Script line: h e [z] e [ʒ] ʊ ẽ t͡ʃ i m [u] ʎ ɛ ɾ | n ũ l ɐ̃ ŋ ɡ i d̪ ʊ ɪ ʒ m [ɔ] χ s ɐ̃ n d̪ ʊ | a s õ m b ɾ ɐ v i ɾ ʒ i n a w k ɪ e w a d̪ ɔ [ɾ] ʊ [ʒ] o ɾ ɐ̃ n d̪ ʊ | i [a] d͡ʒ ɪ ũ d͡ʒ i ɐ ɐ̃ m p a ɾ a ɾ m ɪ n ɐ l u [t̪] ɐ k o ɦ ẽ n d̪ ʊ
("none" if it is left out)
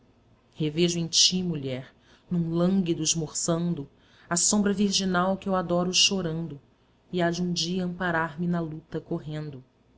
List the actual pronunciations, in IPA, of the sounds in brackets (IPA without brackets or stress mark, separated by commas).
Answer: v, ʒ, u, o, ɾ, ʃ, a, t̪